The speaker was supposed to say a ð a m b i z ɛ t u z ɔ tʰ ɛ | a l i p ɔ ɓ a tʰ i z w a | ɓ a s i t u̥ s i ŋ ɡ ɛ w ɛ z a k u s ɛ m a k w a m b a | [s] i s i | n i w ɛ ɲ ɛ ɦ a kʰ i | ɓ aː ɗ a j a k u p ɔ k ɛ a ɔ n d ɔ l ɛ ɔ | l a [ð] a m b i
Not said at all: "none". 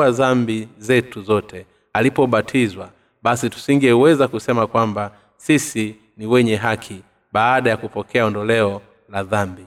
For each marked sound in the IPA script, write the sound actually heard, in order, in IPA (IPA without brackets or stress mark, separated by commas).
s, ð